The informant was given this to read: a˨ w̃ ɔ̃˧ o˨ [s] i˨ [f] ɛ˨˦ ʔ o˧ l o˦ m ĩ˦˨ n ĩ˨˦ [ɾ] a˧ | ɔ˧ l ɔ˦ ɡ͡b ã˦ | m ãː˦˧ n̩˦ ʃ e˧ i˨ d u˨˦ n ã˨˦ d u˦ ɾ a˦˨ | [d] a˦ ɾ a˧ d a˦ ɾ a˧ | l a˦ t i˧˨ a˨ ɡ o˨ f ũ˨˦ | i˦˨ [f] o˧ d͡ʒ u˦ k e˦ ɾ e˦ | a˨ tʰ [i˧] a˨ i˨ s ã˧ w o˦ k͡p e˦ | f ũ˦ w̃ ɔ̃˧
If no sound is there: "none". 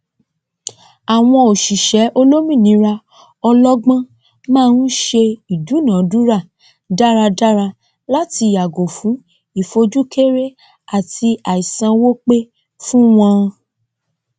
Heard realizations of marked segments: ʃ, ʃ, ɾ, d, f, i˧

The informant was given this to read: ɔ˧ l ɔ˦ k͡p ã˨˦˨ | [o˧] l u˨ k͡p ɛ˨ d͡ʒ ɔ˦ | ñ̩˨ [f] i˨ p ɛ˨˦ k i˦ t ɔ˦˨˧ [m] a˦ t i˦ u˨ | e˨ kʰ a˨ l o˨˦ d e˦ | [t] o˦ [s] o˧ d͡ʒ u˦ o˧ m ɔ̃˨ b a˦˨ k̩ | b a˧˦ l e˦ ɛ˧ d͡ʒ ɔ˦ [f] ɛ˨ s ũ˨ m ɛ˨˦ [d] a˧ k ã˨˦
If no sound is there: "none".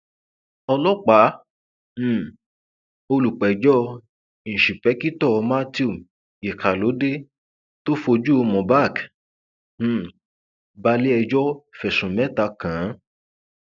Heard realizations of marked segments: o˧, ʃ, m, t, f, f, t

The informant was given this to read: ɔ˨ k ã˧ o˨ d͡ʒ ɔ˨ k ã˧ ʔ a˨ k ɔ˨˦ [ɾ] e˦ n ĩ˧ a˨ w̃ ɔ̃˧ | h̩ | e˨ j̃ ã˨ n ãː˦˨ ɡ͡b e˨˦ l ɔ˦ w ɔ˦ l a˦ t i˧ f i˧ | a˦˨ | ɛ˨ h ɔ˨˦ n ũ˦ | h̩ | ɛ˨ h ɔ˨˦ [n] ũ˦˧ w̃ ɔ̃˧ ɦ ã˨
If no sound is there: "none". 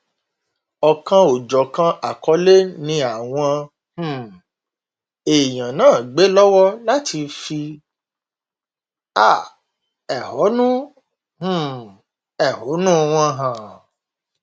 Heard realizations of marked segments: l, n

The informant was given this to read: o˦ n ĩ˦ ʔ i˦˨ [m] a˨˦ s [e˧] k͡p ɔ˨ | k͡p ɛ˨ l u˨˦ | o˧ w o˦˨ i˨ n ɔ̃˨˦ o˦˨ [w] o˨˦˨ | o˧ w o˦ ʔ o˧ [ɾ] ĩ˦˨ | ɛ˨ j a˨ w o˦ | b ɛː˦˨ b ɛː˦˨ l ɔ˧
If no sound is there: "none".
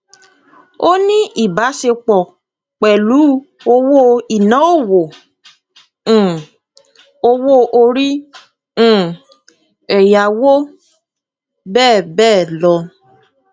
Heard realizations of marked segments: b, e˧, w, ɾ

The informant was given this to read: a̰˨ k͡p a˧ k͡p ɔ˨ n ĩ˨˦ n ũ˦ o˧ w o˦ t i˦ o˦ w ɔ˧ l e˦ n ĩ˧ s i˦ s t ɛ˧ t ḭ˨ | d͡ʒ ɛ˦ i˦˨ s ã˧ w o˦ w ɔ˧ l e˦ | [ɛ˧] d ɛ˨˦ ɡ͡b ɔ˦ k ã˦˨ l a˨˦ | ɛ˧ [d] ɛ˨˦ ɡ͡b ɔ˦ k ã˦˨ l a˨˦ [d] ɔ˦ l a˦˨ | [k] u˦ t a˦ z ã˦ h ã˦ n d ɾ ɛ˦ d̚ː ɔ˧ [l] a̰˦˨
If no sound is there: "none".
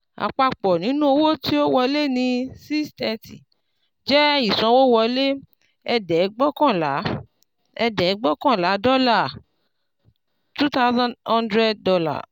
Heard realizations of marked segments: ɛ˧, d, d, t, l

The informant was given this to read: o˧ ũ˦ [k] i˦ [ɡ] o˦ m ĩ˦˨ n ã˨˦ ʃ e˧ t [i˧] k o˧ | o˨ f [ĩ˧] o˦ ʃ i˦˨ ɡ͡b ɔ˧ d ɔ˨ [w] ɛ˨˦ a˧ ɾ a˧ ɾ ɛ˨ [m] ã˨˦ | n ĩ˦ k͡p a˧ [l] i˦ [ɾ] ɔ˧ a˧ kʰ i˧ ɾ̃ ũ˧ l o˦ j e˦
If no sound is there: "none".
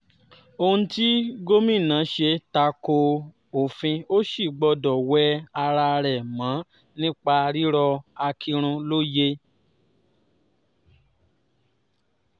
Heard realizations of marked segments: t, ɡ, a˧, ĩ˧, w, m, ɾ, ɾ

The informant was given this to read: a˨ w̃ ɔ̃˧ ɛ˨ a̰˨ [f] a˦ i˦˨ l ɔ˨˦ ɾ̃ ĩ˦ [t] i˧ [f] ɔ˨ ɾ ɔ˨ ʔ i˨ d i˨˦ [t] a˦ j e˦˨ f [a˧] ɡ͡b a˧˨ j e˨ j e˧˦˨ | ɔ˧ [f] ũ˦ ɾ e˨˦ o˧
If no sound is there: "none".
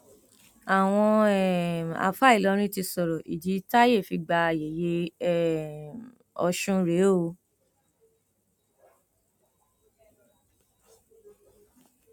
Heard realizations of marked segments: f, t, s, t, i˧, ʃ

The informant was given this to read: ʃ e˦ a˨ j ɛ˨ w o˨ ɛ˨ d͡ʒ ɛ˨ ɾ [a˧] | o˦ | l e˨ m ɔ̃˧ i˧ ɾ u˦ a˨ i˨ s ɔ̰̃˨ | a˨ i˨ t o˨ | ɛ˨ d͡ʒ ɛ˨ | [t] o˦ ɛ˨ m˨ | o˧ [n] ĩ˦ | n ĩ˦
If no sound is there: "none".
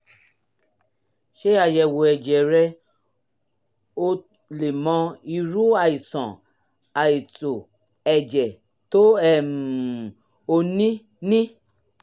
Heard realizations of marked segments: ɛ˧, t, n

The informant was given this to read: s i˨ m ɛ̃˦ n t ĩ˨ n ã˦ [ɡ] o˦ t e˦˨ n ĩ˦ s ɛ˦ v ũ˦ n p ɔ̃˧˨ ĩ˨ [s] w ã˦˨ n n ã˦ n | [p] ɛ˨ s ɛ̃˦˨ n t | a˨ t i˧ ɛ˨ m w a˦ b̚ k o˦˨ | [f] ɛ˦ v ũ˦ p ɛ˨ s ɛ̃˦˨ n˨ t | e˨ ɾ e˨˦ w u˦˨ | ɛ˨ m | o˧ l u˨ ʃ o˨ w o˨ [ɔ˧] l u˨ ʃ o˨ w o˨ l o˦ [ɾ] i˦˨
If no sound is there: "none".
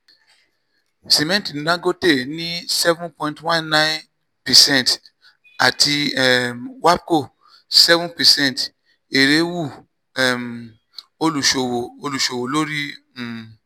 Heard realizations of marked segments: ɡ, t, p, s, o˧, ɾ

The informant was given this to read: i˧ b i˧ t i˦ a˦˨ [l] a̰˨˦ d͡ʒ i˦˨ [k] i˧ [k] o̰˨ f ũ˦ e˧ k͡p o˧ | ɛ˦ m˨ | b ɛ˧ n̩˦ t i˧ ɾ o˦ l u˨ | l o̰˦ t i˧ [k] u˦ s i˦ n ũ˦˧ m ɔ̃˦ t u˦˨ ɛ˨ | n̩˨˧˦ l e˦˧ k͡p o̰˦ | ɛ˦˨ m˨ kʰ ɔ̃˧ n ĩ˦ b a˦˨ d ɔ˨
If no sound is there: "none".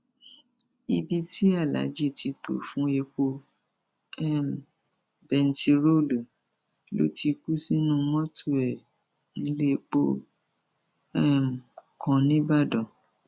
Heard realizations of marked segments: l, t, t, k

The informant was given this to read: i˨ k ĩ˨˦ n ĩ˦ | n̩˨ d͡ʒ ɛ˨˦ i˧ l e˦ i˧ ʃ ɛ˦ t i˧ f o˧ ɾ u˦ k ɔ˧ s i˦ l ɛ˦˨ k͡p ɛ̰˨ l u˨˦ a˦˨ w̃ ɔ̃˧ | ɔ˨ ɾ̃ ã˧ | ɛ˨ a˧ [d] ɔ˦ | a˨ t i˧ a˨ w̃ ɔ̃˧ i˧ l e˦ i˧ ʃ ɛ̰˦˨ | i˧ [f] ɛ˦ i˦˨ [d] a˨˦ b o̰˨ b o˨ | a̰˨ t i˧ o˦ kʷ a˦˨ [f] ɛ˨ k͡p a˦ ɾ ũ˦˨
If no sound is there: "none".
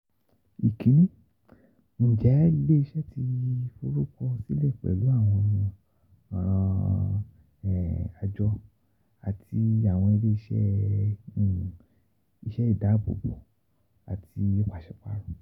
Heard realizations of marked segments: d͡ʒ, ʃ, d, ʃ

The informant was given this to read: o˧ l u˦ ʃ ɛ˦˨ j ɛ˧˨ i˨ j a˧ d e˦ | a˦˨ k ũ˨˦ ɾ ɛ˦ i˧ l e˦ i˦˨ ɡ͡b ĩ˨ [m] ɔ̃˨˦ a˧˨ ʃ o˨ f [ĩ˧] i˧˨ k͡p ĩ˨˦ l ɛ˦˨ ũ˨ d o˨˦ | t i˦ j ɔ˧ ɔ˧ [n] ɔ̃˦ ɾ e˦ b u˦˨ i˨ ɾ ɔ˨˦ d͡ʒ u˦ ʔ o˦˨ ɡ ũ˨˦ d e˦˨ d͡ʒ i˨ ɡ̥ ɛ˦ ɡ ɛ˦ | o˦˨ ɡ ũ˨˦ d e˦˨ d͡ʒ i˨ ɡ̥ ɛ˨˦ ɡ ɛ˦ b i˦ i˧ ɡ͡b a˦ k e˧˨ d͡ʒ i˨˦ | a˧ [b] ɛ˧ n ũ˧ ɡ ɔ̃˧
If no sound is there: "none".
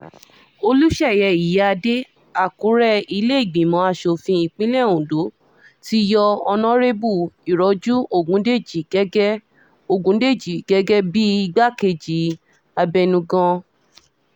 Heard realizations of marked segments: m, ĩ˧, n, b

